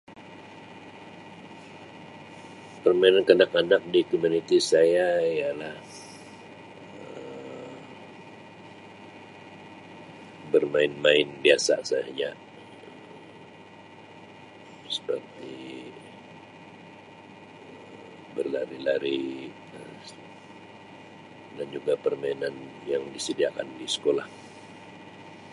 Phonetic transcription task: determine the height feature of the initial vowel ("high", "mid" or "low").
mid